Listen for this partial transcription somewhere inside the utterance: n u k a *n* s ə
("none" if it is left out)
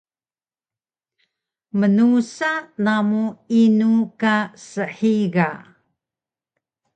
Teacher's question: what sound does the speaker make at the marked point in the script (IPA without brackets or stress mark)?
none